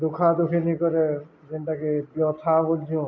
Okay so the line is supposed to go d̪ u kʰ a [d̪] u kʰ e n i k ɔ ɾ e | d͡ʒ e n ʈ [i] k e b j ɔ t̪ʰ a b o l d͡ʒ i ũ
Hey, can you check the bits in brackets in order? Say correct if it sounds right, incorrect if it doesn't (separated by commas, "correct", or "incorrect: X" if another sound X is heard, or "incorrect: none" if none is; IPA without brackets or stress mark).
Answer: correct, incorrect: a